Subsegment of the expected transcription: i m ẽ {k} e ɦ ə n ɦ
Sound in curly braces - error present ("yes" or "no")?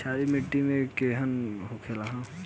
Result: no